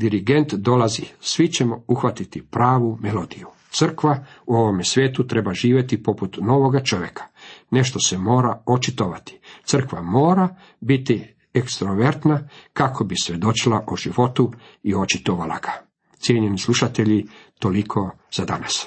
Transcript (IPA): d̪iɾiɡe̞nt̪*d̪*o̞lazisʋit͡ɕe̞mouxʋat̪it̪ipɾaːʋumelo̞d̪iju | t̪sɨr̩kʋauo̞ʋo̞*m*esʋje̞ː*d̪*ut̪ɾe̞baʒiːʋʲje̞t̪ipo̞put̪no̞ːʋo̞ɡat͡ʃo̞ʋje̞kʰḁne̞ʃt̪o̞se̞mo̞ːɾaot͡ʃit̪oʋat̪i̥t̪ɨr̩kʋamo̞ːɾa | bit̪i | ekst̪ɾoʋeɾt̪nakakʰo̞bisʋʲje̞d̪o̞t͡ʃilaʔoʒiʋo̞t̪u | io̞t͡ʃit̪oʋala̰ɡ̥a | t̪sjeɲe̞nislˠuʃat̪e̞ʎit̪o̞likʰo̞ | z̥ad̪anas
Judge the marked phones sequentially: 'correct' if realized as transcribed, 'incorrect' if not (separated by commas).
correct, correct, incorrect